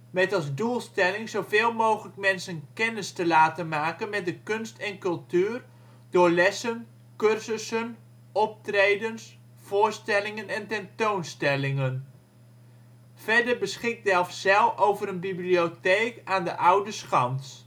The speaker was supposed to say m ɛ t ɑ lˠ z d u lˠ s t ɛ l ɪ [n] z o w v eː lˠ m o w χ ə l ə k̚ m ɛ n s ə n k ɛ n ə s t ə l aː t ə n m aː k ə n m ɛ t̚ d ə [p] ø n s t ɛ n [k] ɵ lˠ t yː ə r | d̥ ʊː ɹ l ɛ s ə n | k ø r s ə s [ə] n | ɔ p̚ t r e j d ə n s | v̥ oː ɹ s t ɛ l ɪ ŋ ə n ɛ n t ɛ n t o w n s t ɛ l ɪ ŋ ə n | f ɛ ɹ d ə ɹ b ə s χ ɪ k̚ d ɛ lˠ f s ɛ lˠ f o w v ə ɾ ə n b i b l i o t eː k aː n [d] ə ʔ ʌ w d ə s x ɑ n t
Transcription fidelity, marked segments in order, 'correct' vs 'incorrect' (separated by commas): incorrect, incorrect, correct, correct, correct